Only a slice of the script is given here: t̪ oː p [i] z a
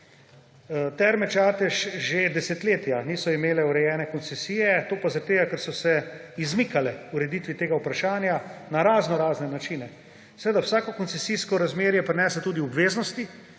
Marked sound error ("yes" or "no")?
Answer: yes